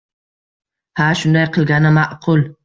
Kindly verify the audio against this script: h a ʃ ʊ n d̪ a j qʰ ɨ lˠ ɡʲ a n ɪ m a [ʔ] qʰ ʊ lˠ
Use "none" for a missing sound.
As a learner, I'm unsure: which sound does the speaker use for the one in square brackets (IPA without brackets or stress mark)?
ʔ